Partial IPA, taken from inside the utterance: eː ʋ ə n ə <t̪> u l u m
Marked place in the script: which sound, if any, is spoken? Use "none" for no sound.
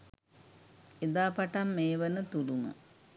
t̪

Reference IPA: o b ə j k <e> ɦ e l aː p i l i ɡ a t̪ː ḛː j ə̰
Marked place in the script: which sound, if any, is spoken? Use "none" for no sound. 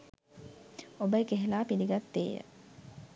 e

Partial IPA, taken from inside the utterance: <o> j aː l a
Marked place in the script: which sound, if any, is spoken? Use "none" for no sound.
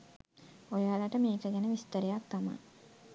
o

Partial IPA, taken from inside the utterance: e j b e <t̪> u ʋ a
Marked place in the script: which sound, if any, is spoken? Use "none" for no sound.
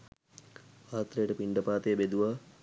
d̪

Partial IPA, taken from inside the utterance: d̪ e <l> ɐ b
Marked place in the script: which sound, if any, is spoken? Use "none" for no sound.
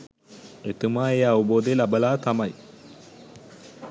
l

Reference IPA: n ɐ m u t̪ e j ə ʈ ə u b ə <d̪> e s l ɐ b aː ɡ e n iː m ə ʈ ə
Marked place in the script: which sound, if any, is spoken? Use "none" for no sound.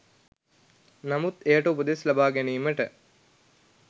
d̪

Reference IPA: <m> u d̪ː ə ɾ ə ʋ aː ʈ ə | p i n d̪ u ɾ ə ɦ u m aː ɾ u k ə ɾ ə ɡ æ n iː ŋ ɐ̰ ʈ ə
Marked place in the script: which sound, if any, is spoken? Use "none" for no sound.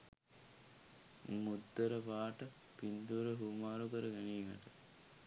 m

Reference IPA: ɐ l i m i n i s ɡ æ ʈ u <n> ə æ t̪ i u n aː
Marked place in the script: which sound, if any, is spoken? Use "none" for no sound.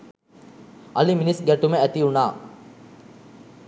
m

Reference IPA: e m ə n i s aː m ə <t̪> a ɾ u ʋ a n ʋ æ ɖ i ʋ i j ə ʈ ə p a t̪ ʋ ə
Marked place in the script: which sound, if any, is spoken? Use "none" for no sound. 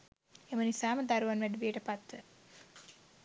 d̪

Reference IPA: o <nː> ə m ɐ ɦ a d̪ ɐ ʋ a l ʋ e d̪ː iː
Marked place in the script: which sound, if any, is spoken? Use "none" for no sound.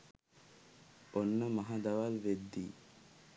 nː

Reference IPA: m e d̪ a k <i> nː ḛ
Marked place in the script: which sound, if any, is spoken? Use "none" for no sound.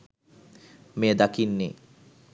i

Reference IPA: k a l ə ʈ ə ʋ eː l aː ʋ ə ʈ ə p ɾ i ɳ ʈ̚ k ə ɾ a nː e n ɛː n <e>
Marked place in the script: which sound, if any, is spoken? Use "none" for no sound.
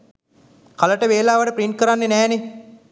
e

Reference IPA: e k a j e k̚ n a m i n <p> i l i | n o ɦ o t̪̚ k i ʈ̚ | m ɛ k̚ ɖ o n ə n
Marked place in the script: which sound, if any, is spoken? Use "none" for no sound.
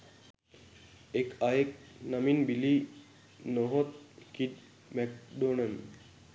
b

